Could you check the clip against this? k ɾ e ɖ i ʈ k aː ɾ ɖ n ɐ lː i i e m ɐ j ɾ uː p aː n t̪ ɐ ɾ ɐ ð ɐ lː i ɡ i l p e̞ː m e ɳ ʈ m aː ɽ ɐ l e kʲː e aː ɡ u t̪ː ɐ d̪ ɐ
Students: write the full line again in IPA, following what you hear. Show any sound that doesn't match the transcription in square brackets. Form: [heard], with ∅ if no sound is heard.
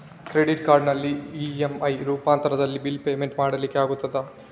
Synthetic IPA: k ɾ e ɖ i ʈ k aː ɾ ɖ n ɐ lː i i e m ɐ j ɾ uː p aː n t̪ ɐ ɾ ɐ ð ɐ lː i [b] i l p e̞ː m e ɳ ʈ m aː ɽ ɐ l [i] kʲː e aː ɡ u t̪ː ɐ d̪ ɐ